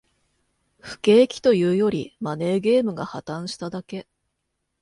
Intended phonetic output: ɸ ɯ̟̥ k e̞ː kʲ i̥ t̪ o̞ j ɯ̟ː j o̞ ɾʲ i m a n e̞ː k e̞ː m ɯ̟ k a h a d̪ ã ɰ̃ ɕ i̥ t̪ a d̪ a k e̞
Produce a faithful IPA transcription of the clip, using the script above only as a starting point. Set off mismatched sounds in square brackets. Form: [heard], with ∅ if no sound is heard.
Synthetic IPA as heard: ɸ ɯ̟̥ k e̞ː kʲ i̥ t̪ o̞ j ɯ̟ː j o̞ ɾʲ i m a n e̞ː [ɡ] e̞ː m ɯ̟ [ɡ] a h a [t̪] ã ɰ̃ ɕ i̥ t̪ a d̪ a k e̞